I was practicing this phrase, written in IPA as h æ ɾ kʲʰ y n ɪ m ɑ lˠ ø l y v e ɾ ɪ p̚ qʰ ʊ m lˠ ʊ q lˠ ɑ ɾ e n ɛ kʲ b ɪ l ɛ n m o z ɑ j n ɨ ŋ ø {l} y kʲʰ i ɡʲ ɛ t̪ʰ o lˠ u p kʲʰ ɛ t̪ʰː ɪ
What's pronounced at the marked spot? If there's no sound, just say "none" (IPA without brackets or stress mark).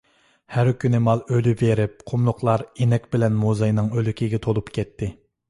l